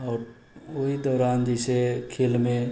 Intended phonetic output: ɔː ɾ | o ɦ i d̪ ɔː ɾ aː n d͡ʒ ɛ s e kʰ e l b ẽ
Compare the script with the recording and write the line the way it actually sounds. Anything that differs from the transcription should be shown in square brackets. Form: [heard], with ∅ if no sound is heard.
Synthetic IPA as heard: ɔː ɾ | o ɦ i d̪ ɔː ɾ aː n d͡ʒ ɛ s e kʰ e l [m] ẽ